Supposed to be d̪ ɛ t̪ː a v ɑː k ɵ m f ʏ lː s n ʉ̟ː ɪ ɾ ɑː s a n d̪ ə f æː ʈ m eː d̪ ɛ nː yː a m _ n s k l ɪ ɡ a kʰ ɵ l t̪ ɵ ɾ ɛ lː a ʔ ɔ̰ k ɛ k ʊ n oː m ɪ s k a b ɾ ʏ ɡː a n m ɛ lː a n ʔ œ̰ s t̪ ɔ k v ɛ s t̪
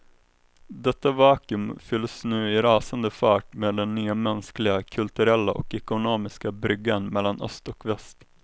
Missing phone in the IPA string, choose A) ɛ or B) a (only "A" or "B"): A